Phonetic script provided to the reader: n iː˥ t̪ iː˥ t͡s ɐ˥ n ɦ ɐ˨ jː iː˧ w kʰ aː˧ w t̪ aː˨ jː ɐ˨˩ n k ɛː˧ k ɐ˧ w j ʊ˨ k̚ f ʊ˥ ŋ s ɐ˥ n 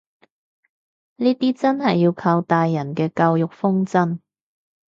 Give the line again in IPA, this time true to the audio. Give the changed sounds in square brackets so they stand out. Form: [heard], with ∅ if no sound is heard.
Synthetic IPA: n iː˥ t̪ iː˥ t͡s ɐ˥ n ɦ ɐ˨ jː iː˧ w kʰ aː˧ w t̪ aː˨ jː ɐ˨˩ n k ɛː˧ k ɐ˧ w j ʊ˨ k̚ f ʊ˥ ŋ [t͡s] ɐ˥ n